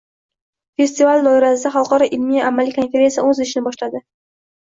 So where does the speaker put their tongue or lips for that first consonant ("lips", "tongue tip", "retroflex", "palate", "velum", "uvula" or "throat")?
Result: lips